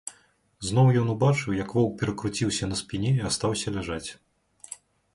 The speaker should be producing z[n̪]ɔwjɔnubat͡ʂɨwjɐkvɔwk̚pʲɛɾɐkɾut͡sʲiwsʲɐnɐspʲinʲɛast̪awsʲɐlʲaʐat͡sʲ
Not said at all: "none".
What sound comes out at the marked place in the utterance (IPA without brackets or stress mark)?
n̪